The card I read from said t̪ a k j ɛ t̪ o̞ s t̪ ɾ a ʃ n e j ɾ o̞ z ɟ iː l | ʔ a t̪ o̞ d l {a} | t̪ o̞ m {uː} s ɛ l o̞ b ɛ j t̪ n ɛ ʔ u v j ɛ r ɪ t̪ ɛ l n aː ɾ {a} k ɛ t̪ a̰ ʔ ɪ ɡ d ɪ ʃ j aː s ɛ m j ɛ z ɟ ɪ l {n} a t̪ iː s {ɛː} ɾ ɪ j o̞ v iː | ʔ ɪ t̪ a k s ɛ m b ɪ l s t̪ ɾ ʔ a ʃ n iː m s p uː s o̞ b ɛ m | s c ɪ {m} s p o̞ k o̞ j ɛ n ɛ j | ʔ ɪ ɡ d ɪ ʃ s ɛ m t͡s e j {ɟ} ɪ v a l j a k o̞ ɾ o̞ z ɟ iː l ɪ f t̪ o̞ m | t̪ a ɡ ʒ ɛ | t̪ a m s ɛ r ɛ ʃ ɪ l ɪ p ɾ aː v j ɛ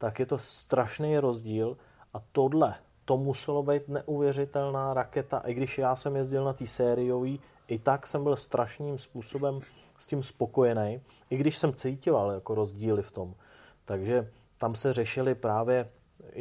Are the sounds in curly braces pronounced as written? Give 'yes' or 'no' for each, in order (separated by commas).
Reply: no, no, yes, yes, yes, yes, no